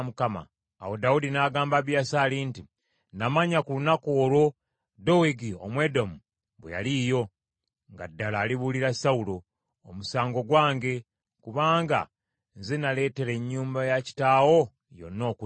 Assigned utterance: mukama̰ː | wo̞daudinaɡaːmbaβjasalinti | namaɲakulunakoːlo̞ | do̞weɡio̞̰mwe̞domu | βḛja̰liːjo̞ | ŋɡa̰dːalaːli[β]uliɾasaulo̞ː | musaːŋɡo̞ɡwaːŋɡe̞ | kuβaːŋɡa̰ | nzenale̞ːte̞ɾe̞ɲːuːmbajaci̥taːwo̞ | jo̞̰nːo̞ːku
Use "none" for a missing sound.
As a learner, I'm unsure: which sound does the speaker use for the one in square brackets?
β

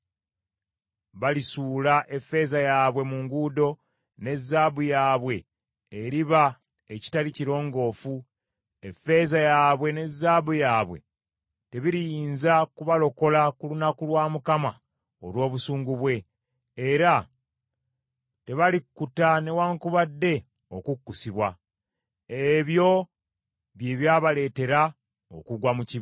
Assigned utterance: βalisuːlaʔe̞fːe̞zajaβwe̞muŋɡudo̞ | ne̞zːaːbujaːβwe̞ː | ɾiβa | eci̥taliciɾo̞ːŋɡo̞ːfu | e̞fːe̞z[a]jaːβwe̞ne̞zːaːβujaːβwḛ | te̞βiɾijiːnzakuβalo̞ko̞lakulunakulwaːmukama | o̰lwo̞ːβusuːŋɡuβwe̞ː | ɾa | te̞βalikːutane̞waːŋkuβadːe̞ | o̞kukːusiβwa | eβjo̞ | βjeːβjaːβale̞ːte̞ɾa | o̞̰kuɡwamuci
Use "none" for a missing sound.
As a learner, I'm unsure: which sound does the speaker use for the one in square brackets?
a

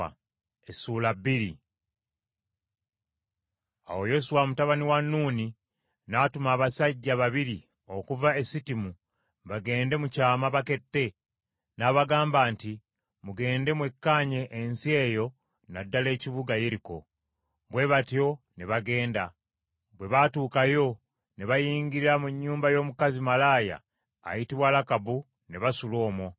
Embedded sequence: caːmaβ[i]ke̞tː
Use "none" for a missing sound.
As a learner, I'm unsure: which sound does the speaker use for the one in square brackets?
a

